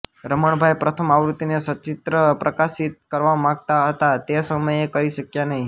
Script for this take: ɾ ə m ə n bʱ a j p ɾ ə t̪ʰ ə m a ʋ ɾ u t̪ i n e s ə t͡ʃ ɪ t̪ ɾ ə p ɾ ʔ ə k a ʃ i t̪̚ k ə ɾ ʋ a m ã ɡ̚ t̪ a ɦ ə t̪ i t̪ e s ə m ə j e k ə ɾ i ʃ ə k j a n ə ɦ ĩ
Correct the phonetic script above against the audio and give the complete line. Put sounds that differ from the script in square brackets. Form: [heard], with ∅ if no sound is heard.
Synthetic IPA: ɾ ə m ə [ɳ] bʱ a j p ɾ ə t̪ʰ ə m a ʋ ɾ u t̪ i n e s ə t͡ʃ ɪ t̪ ɾ ə p ɾ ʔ ə k a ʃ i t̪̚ k ə ɾ ʋ a m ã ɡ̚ t̪ a ɦ ə t̪ [a] t̪ e s ə m ə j e k ə ɾ i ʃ ə k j a n ə ɦ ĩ